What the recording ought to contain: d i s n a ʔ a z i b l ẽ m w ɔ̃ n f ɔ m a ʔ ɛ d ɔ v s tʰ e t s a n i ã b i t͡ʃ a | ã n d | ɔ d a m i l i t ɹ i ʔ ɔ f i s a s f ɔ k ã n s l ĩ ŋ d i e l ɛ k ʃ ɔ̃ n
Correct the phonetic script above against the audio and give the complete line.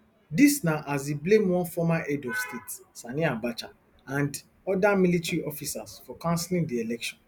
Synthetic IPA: d i s n a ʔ a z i b l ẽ m w ɔ̃ n f ɔ m a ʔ ɛ d ɔ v s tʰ e t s a n i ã b a t͡ʃ a | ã n d | ɔ d a m i l i t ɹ i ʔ ɔ f i s a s f ɔ k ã n s l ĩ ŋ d i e l ɛ k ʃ ɔ̃ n